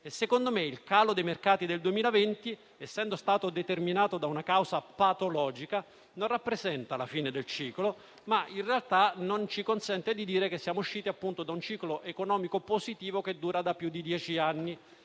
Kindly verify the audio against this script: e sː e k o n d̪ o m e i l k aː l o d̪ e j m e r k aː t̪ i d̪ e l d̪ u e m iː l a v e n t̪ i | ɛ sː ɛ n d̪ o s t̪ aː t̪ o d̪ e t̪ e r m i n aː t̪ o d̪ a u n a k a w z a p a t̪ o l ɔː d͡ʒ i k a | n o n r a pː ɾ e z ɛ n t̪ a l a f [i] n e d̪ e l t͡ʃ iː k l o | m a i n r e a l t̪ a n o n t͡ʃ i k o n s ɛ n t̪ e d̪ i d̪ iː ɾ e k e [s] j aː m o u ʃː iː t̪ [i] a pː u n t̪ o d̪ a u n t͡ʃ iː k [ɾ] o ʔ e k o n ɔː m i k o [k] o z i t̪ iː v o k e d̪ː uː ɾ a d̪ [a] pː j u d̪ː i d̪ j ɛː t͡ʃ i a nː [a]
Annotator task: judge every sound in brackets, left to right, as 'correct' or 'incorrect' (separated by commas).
incorrect, incorrect, correct, incorrect, incorrect, correct, incorrect